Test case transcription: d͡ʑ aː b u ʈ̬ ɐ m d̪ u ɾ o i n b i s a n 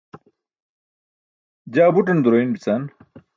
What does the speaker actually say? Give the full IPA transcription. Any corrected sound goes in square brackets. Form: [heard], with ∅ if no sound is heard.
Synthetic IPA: d͡ʑ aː b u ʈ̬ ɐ [n] d̪ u ɾ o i n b i [t͡s] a n